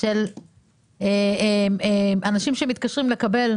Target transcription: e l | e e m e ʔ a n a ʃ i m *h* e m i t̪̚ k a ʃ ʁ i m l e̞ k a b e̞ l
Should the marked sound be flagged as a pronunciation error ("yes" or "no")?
yes